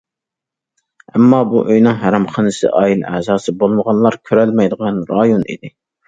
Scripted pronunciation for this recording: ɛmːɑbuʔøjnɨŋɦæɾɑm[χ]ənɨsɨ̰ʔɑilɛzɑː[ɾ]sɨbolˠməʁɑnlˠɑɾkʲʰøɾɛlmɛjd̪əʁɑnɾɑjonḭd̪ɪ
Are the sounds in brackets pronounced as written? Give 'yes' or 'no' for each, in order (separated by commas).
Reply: yes, no